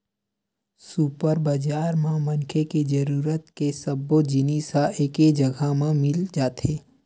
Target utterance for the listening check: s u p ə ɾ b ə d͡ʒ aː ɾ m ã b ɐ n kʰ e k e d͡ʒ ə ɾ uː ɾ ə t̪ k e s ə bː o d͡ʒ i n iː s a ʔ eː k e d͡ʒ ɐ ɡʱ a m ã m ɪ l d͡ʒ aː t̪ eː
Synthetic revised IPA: s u p ə ɾ b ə d͡ʒ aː ɾ m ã m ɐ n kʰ e k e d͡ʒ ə ɾ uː ɾ ə t̪ k e s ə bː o d͡ʒ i n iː s a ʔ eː k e d͡ʒ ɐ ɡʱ a m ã m ɪ l d͡ʒ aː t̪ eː